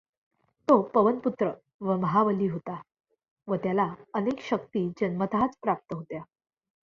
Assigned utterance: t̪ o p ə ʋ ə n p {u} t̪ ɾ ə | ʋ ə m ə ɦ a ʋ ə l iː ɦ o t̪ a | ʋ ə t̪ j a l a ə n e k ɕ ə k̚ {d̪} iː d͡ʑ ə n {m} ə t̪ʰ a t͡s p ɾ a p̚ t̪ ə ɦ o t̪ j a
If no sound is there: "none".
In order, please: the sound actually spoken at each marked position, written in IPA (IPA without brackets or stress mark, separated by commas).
u, t̪, m